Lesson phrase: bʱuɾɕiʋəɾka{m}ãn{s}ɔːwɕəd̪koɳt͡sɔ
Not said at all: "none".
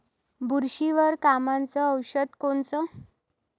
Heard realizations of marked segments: m, t͡s

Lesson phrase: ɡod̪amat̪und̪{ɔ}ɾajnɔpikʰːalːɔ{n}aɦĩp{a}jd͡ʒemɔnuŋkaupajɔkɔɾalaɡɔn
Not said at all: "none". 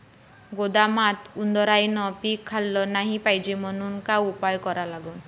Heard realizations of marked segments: ɔ, n, a

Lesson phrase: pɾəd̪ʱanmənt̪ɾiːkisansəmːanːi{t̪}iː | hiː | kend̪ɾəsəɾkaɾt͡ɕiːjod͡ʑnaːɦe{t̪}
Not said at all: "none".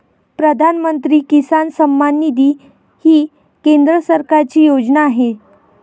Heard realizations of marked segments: d̪, none

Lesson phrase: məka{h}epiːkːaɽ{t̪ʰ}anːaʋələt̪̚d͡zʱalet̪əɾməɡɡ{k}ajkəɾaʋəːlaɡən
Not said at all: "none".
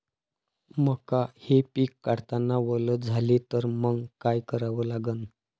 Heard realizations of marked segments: h, t̪, k

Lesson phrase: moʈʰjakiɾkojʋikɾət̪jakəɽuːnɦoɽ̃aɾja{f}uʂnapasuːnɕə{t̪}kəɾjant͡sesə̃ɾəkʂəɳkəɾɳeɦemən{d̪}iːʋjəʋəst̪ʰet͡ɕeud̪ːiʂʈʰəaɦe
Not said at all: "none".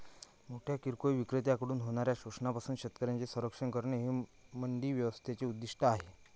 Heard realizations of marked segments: ɕ, t̪, d̪

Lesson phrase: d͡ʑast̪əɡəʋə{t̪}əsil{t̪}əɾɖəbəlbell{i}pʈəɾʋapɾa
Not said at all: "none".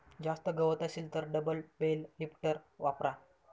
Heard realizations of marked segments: t̪, t̪, i

